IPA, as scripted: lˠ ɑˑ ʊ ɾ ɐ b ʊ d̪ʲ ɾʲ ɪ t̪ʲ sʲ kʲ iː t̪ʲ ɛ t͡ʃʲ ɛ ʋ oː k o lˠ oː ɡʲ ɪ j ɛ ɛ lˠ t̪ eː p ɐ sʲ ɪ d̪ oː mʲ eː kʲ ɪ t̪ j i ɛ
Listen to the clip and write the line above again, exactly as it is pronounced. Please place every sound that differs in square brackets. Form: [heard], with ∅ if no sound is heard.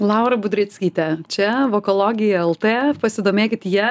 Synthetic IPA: lˠ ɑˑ ʊ ɾ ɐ b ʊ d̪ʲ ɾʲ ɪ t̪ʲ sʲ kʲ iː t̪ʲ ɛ t͡ʃʲ ɛ ʋ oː k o lˠ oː ɡʲ ɪ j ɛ ɛ lˠ t̪ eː p ɐ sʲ ɪ d̪ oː mʲ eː kʲ ɪ t̪ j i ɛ